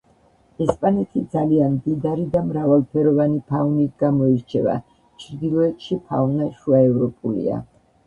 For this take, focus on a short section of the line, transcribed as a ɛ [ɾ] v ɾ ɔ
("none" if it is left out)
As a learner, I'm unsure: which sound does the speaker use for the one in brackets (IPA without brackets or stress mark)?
none